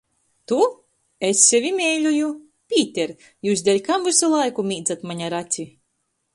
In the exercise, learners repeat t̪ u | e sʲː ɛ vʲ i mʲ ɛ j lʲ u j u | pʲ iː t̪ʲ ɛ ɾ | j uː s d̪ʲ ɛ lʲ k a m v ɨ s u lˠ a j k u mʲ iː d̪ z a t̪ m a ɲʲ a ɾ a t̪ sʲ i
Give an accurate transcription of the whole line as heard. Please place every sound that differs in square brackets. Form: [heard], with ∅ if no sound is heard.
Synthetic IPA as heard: t̪ u | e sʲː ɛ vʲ i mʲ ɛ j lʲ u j u | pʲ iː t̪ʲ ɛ ɾ | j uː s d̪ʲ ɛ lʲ k a m v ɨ s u lˠ a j k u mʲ iː d̪ z a t̪ m a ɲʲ a ɾ a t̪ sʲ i